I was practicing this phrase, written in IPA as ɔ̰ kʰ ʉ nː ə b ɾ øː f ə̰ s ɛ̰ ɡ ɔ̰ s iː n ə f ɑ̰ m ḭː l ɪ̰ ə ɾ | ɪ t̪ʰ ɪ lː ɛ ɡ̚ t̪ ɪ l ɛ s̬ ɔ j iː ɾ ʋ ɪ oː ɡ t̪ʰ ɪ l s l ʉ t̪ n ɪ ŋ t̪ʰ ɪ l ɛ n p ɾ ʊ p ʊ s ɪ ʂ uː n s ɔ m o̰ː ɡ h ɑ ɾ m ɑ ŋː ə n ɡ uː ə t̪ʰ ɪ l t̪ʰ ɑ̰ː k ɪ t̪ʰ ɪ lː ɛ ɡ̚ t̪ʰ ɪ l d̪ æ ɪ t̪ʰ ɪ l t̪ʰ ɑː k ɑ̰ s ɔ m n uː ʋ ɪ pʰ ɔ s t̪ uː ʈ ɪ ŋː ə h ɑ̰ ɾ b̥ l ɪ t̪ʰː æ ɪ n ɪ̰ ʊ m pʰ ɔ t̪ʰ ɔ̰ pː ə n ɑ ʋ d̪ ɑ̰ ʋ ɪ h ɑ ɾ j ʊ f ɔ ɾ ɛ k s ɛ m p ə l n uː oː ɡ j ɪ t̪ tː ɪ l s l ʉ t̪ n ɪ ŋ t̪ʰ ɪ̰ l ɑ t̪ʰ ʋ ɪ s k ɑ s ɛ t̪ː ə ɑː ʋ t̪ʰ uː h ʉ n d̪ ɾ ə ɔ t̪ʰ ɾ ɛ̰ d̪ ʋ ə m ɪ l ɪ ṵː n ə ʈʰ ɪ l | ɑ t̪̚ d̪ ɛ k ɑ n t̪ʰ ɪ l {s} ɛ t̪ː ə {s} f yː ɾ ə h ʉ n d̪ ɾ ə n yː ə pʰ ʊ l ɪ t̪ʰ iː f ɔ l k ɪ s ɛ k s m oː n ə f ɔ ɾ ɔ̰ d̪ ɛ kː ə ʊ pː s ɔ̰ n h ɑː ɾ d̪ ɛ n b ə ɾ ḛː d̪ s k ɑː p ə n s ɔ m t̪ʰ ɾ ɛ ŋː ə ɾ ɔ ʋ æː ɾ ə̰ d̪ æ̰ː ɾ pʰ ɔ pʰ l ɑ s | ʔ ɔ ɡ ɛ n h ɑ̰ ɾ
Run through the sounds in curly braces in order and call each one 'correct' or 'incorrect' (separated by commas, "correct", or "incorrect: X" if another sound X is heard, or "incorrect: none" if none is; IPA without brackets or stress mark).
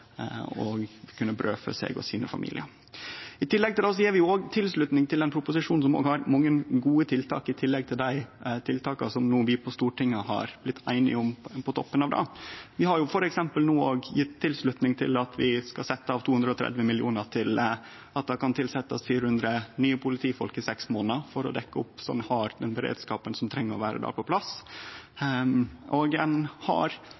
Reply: correct, correct